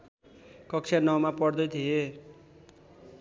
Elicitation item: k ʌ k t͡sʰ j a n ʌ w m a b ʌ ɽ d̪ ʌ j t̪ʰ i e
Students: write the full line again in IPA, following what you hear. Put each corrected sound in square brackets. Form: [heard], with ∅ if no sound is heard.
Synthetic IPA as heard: k ʌ k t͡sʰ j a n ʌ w m a [p] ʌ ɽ d̪ ʌ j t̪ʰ i e